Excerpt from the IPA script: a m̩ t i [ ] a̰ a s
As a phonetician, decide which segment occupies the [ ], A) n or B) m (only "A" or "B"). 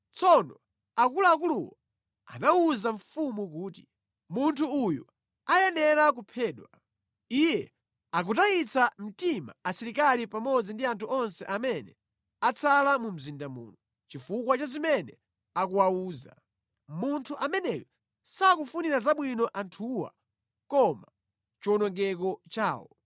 B